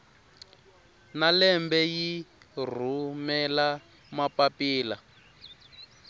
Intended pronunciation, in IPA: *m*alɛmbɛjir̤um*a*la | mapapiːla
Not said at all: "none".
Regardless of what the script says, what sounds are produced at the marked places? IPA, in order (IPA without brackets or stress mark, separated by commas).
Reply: n, ɛ